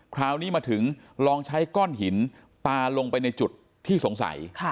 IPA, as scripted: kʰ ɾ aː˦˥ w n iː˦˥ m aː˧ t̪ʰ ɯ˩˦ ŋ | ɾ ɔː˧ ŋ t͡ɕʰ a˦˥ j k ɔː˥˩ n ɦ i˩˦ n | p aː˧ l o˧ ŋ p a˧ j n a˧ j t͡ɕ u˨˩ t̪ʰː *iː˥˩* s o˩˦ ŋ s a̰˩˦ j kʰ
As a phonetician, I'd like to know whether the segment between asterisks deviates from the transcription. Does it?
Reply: no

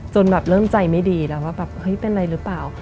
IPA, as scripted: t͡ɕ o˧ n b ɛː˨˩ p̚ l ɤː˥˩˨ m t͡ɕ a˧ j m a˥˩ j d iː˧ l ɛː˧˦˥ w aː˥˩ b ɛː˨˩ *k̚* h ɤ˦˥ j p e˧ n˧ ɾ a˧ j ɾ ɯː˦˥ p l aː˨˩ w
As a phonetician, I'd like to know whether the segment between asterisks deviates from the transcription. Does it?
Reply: yes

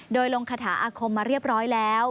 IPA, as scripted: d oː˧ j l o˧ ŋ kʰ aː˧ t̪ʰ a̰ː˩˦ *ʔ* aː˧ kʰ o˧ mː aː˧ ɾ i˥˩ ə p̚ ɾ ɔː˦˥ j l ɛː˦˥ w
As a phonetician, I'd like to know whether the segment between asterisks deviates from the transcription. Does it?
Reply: no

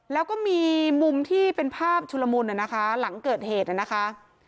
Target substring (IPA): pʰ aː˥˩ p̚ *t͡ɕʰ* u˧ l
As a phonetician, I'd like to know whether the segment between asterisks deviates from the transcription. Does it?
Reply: no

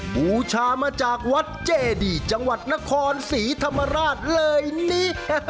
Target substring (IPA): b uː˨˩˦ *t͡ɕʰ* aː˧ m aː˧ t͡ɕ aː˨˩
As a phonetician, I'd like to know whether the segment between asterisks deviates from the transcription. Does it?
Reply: no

